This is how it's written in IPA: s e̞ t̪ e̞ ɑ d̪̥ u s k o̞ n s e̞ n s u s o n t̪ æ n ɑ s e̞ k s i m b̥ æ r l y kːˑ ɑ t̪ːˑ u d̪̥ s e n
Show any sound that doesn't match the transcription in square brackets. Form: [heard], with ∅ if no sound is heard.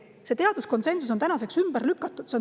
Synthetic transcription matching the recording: s e̞ t̪ e̞ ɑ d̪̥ u s k o̞ n s e̞ n s u s o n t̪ æ n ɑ s e̞ k s [y] m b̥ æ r l y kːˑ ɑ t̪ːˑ u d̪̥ s e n